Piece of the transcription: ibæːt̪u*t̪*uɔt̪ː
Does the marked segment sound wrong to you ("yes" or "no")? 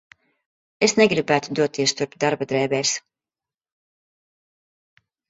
yes